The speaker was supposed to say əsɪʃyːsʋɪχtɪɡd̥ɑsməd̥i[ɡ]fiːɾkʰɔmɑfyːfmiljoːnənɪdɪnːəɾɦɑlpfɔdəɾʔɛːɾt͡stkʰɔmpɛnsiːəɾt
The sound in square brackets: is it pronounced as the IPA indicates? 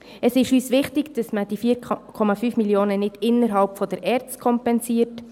no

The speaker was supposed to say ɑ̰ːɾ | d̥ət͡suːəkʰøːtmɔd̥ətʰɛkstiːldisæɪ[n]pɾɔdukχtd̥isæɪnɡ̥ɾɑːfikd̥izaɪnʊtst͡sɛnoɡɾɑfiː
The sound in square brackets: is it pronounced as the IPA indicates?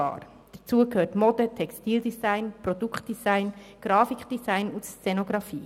yes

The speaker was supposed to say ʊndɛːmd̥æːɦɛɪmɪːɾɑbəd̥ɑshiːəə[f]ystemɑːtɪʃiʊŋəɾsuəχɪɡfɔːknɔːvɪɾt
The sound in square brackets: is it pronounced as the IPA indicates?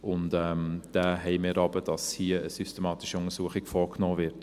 no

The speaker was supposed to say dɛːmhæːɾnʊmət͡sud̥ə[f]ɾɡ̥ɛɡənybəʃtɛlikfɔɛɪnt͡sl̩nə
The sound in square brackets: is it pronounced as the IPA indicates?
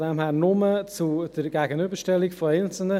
no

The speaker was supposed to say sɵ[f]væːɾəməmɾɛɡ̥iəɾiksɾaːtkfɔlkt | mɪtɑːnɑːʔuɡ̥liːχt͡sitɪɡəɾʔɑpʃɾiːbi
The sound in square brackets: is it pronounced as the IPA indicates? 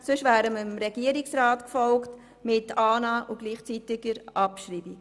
no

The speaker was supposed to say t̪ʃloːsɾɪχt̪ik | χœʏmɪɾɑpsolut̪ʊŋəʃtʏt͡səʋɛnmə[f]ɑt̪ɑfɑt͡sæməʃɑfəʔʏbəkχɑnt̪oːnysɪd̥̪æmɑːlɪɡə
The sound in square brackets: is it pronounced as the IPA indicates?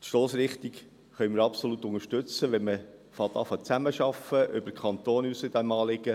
yes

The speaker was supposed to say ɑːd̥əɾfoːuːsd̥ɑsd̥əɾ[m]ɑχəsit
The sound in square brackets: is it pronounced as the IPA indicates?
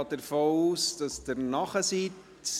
no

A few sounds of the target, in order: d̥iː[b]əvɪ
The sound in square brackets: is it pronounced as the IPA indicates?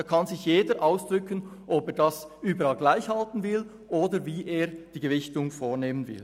no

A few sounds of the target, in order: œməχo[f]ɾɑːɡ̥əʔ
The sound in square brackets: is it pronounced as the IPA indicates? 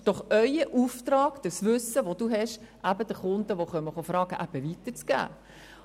yes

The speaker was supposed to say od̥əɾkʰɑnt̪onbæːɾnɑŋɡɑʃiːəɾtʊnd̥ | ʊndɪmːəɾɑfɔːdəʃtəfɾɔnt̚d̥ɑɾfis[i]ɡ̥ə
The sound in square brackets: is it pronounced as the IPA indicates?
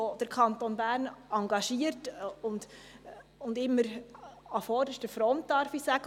no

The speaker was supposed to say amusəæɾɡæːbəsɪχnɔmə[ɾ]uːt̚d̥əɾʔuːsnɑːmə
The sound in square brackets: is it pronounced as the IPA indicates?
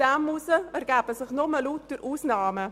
no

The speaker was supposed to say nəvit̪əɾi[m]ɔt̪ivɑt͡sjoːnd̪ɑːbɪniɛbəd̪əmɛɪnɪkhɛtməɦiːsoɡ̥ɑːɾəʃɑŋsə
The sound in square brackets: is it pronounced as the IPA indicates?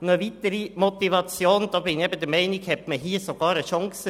yes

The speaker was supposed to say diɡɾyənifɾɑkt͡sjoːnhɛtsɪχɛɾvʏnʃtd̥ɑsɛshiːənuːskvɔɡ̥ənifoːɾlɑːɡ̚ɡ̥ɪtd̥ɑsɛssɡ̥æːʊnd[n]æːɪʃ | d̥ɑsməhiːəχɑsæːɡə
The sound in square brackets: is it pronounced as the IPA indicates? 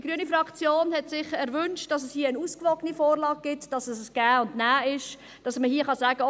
yes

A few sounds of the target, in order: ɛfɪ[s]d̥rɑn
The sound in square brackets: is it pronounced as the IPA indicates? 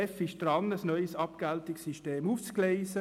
no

